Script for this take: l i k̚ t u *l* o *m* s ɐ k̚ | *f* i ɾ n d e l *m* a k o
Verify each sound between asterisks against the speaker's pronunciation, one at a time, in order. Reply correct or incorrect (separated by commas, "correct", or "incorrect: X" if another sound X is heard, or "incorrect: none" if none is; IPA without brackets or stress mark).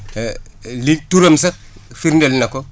incorrect: ɾ, correct, correct, incorrect: n